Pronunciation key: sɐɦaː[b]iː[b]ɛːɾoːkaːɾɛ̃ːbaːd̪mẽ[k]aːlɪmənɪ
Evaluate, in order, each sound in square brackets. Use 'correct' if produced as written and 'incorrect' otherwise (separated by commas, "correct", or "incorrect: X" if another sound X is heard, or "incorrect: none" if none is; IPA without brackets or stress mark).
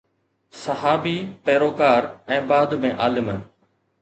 correct, incorrect: p, incorrect: ʔ